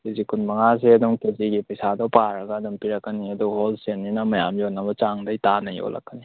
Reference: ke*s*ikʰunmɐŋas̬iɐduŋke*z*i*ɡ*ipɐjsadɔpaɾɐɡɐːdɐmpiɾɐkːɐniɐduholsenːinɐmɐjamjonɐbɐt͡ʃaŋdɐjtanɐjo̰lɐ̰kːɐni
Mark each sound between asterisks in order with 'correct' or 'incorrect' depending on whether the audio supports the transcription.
incorrect: z, correct, correct

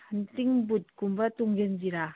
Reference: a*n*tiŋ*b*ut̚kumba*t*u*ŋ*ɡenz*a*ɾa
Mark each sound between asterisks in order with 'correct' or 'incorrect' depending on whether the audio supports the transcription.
correct, correct, correct, correct, incorrect: i

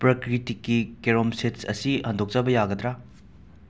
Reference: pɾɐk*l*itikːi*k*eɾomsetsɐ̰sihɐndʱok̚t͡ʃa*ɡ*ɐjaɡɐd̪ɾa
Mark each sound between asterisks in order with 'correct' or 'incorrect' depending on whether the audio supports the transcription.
incorrect: ɾ, correct, incorrect: b

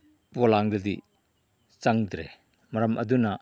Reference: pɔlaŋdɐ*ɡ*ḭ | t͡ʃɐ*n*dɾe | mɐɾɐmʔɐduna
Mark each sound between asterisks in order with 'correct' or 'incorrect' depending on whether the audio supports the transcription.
incorrect: d, incorrect: ŋ

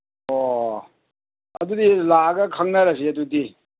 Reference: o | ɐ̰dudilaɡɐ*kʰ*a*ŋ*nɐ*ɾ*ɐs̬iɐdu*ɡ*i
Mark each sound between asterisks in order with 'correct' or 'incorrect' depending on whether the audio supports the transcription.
correct, correct, correct, incorrect: d

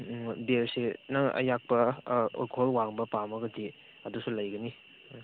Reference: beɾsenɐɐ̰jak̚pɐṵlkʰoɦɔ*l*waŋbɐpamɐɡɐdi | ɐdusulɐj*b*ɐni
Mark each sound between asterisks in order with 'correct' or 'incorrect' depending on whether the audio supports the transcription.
correct, incorrect: ɡ

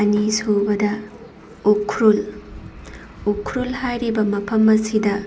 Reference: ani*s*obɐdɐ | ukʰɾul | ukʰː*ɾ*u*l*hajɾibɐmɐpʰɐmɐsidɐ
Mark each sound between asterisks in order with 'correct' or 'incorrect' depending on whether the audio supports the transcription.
correct, correct, correct

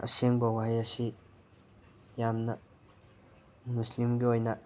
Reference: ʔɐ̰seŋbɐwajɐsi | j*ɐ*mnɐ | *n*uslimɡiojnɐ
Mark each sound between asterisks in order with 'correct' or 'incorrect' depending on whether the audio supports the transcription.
incorrect: a, incorrect: m

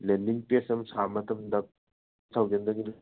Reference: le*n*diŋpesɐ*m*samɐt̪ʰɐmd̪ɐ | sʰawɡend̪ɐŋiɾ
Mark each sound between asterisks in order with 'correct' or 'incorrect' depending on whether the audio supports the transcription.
correct, correct

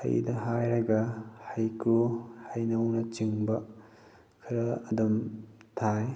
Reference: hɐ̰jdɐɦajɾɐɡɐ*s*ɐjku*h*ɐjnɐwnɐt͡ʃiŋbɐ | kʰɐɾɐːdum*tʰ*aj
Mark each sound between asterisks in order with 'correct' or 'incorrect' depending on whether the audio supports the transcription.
incorrect: h, correct, correct

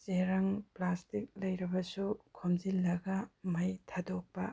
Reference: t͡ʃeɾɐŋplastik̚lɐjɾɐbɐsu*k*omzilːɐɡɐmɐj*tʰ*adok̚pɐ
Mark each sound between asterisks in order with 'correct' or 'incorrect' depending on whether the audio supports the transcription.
incorrect: kʰ, correct

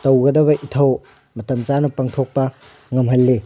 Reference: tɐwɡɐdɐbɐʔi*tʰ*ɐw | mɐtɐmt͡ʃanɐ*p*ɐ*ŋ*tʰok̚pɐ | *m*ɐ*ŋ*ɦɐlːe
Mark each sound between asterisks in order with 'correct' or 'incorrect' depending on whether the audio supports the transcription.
correct, correct, correct, incorrect: ŋ, incorrect: m

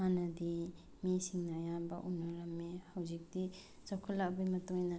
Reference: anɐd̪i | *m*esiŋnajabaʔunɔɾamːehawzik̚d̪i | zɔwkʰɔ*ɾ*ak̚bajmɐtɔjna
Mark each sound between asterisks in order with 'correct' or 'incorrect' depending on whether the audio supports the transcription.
correct, incorrect: l

